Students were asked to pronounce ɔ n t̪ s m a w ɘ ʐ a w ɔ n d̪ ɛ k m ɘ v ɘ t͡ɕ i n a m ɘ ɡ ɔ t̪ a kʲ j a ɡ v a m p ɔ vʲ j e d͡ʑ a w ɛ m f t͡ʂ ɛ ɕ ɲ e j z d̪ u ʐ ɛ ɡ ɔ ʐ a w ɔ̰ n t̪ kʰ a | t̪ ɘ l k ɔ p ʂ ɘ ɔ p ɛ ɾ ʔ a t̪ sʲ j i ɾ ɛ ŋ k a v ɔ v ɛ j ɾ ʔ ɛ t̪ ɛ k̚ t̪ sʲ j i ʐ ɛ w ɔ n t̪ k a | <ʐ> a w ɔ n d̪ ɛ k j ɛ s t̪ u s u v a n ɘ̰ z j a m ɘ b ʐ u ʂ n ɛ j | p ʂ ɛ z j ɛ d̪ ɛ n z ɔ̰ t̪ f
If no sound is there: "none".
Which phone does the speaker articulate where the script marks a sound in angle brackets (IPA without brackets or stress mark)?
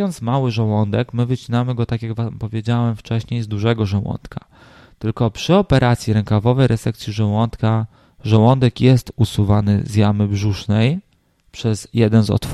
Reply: ʐ